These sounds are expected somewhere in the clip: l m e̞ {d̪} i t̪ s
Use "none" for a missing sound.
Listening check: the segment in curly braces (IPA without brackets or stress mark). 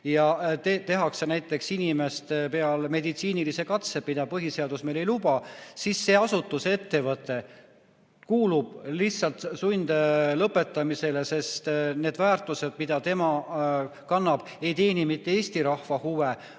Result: d̪